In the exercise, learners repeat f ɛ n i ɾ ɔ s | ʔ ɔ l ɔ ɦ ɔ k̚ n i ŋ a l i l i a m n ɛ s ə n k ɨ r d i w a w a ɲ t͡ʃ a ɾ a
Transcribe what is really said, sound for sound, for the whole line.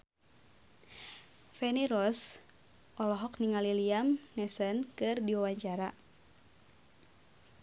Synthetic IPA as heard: f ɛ n i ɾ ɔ s | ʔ ɔ l ɔ ɦ ɔ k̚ n i ŋ a l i l i a m n ɛ s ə n k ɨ r d i w a w a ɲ t͡ʃ a ɾ a

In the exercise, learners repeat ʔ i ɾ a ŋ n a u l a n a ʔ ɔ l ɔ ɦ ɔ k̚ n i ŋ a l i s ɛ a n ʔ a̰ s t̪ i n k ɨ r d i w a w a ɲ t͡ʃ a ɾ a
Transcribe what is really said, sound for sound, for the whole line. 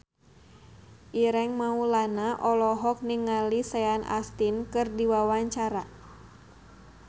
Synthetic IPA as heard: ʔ i ɾ ɛ ŋ m a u l a n a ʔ ɔ l ɔ ɦ ɔ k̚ n i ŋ a l i s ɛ a n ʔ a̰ s t̪ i n k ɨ r d i w a w a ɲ t͡ʃ a ɾ a

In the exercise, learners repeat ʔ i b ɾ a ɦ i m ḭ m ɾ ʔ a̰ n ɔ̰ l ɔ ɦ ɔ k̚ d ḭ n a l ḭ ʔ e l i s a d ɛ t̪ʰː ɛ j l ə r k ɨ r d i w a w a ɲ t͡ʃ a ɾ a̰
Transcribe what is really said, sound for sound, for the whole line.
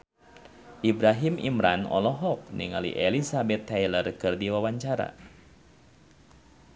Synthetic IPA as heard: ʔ i b ɾ a ɦ i m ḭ m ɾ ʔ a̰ n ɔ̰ l ɔ ɦ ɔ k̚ n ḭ ŋ a l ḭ ʔ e l i s a b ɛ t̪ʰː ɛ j l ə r k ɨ r d i w a w a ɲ t͡ʃ a ɾ a̰

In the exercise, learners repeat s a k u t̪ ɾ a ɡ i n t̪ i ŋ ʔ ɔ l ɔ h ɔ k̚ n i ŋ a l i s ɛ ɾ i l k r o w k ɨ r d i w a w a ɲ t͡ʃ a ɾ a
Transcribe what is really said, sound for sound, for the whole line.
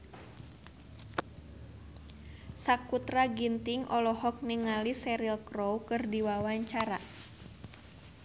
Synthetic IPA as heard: s a k u t̪ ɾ a ɡ i n t̪ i ŋ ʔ ɔ l ɔ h ɔ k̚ n i ŋ a l i s ɛ ɾ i l k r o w k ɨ r d i w a w a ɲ t͡ʃ a ɾ a

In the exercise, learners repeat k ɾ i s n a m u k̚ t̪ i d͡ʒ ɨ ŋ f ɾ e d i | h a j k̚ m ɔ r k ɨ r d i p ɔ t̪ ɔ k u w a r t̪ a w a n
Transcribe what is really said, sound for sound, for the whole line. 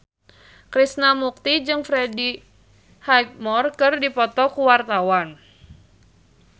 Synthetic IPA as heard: k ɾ i s n a m u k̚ t̪ i d͡ʒ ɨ ŋ f ɾ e d i | h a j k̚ m ɔ r k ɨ r d i p ɔ t̪ ɔ k u w a r t̪ a w a n

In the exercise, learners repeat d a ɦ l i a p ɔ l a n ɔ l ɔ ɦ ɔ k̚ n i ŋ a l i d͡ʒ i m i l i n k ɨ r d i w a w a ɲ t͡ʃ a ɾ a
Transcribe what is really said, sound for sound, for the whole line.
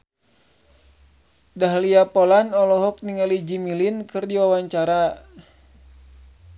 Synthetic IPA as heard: d a ɦ l i a p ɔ l a n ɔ l ɔ ɦ ɔ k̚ n i ŋ a l i d͡ʒ i m i l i n k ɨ r d i w a w a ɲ t͡ʃ a ɾ a

